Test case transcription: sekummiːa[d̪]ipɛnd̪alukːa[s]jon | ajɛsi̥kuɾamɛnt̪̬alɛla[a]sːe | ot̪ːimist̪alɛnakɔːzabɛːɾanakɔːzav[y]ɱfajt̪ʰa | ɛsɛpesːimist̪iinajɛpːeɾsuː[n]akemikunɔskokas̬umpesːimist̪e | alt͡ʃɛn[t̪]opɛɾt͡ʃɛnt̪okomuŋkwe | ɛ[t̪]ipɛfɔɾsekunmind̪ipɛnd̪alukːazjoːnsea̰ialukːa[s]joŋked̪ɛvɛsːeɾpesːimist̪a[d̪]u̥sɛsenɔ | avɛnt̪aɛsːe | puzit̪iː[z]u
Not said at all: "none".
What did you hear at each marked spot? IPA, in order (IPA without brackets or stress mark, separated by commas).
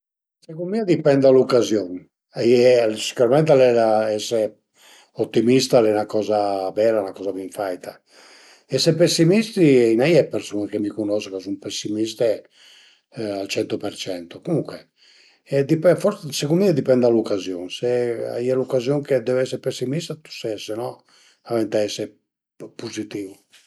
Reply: d̪, z, ɛ, i, n, t̪, d̪, z, t̪, v